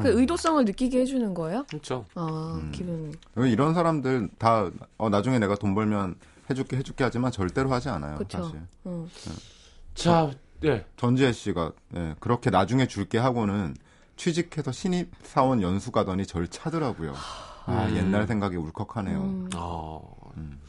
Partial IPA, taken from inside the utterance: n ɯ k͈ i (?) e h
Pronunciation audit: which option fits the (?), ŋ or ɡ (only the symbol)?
ɡ